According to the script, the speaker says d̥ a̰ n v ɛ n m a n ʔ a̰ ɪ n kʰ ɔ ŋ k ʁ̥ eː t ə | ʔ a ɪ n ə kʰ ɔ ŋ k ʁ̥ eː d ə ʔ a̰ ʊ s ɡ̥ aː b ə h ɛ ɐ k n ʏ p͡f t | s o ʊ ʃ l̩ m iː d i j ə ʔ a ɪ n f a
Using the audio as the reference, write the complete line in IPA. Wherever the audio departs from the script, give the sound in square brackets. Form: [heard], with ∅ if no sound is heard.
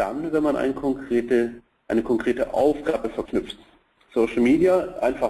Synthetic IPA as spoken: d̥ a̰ n v ɛ n m a n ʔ a̰ ɪ n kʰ ɔ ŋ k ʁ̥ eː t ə | ʔ a ɪ n ə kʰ ɔ ŋ k ʁ̥ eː [t] ə ʔ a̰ ʊ [f] ɡ̥ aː b ə [f] ɛ ɐ k n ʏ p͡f t | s o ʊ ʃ l̩ m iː d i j [a] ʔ a ɪ n f a